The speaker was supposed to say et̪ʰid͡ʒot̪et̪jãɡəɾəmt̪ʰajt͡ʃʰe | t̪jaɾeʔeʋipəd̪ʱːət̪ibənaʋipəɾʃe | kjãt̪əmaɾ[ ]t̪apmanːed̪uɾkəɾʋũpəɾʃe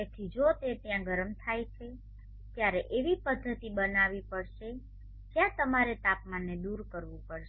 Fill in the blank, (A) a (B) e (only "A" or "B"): B